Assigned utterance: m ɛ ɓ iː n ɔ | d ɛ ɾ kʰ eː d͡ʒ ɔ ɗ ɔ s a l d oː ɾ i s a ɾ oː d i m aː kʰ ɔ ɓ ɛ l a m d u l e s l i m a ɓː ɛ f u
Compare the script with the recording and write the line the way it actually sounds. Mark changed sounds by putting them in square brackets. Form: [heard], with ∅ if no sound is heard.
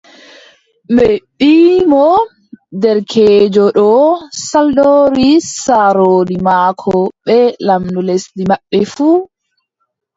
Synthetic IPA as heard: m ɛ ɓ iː [m] ɔ | d ɛ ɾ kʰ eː d͡ʒ ɔ ɗ ɔ s a l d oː ɾ i s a ɾ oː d i m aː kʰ ɔ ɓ ɛ l a m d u l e s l i m a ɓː ɛ f u